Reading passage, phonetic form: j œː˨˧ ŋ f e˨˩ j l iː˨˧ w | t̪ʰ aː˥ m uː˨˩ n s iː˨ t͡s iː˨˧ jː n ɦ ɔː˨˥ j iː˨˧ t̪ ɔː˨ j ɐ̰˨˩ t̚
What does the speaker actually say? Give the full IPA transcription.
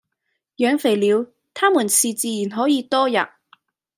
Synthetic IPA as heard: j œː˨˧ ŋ f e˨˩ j l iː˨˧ w | t̪ʰ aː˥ m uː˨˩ n s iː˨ t͡s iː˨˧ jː n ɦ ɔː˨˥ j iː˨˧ t̪ ɔː˥ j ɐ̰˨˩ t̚